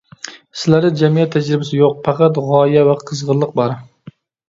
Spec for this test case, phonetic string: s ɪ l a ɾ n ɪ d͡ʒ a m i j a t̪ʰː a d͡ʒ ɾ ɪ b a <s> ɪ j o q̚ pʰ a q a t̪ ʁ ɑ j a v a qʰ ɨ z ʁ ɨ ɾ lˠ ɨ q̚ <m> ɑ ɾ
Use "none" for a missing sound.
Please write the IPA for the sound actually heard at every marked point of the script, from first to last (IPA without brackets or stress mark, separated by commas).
s, b